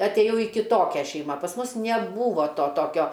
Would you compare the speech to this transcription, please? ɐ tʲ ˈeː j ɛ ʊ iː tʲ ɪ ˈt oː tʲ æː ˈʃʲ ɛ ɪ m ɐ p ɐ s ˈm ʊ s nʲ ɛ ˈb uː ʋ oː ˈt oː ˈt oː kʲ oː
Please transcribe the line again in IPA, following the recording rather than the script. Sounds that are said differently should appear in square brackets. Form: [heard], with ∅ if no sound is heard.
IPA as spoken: ɐ tʲ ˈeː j ɛ ʊ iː [kʲ] ɪ ˈt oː [kʲ] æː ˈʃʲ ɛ ɪ m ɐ p ɐ s ˈm ʊ s nʲ ɛ ˈb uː ʋ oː ˈt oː ˈt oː kʲ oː